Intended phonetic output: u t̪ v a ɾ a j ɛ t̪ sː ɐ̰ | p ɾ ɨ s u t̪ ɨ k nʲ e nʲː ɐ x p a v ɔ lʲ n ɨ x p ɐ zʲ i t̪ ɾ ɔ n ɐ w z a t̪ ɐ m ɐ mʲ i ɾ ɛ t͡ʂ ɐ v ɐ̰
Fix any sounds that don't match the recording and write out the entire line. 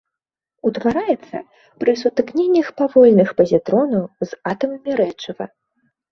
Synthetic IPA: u t̪ v a ɾ a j ɛ t̪ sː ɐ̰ | p ɾ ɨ s u t̪ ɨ k nʲ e nʲː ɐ x p a v ɔ lʲ n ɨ x p ɐ zʲ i t̪ ɾ ɔ n ɐ w z a t̪ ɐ m ɐ mʲ i ɾ ɛ t͡ʂ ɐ v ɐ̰